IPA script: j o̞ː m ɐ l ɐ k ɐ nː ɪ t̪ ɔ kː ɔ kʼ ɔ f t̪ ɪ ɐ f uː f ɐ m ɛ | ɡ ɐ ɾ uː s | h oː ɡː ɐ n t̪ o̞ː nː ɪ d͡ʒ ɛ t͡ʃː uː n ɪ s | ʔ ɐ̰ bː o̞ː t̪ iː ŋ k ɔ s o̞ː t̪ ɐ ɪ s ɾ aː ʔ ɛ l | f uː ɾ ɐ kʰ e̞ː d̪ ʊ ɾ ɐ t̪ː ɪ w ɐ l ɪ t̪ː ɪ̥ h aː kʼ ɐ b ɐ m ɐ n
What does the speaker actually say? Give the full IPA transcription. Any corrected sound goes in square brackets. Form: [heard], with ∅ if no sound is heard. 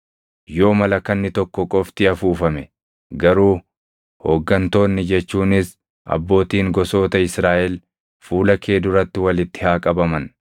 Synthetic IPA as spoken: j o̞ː m ɐ l ɐ k ɐ nː ɪ t̪ ɔ kː ɔ kʼ ɔ f t̪ ɪ ɐ f uː f ɐ m ɛ | ɡ ɐ ɾ uː [∅] | h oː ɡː ɐ n t̪ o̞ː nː ɪ d͡ʒ ɛ t͡ʃː uː n ɪ s | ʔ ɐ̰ bː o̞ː t̪ iː ŋ [ɡ] ɔ s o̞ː t̪ ɐ ɪ s ɾ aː ʔ ɛ l | f uː [l] ɐ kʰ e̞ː d̪ ʊ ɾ ɐ t̪ː ɪ w ɐ l ɪ t̪ː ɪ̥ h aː kʼ ɐ b ɐ m ɐ n